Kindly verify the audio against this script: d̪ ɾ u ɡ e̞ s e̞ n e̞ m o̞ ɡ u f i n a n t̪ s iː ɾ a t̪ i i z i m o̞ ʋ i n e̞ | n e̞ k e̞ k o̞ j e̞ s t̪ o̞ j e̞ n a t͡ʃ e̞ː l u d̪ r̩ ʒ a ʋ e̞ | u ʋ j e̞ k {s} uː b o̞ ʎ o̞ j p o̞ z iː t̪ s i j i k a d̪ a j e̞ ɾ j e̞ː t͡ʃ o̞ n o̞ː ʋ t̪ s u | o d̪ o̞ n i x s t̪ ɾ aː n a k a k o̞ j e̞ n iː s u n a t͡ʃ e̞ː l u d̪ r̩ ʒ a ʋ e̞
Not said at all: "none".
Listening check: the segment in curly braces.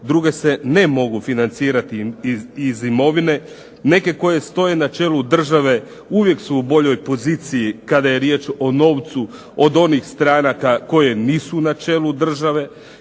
s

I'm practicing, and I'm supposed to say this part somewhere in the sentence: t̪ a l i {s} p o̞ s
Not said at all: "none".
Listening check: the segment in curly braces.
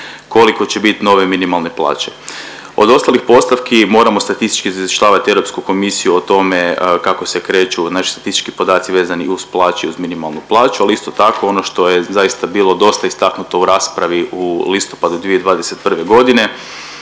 x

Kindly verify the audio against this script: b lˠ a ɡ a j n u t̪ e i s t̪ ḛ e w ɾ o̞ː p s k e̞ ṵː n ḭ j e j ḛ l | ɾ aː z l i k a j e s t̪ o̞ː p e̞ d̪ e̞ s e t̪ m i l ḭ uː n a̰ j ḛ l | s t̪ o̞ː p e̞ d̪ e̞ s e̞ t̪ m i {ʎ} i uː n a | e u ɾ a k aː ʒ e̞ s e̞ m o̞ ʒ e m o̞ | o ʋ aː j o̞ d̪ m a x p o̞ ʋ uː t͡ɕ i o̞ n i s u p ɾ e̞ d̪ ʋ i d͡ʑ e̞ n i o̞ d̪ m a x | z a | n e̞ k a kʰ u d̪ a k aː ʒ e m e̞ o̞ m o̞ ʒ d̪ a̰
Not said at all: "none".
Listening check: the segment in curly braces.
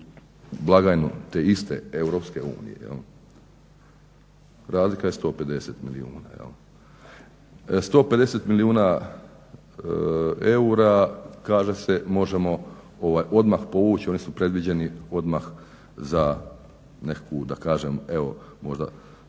l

